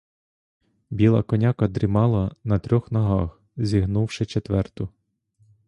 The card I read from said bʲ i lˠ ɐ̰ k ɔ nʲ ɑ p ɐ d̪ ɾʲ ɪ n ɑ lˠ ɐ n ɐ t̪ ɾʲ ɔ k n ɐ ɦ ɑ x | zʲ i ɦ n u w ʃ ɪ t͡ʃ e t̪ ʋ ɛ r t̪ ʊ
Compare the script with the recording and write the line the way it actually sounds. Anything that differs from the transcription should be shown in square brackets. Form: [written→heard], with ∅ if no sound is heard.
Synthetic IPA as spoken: bʲ i lˠ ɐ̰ k ɔ nʲ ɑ [p→k] ɐ d̪ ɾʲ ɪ [n→m] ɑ lˠ ɐ n ɐ t̪ ɾʲ ɔ [k→x] n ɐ ɦ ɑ x | zʲ i ɦ n u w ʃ ɪ t͡ʃ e t̪ ʋ ɛ r t̪ ʊ